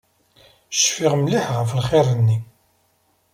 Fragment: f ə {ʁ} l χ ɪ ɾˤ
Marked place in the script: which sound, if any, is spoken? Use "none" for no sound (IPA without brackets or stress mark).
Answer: none